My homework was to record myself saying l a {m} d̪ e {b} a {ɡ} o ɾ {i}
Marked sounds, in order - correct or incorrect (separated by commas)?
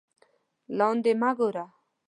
incorrect, incorrect, correct, incorrect